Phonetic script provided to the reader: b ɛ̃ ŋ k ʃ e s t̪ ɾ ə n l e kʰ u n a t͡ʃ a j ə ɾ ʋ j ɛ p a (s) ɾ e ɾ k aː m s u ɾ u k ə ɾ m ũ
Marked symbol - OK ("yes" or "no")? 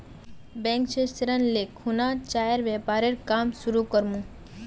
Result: no